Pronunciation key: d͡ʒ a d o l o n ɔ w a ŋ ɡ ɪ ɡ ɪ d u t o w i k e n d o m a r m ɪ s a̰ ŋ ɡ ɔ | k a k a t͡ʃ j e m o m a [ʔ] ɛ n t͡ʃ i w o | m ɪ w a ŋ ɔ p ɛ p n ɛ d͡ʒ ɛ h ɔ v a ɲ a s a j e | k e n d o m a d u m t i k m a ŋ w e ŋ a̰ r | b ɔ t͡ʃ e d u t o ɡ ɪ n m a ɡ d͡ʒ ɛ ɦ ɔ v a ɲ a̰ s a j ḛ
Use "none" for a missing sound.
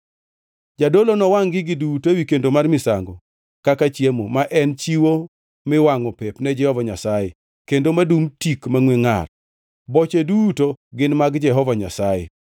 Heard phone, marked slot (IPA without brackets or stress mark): ʔ